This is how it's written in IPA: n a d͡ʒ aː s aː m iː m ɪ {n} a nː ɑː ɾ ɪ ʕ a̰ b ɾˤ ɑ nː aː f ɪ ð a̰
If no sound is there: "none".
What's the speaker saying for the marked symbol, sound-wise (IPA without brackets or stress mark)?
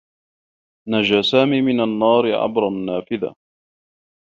n